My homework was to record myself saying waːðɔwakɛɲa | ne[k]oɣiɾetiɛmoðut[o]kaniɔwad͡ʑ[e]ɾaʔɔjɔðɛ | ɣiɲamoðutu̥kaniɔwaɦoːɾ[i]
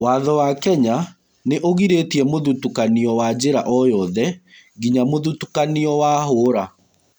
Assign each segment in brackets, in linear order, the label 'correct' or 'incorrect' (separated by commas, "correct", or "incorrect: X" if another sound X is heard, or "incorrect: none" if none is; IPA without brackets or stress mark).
incorrect: ʔ, incorrect: u, correct, incorrect: a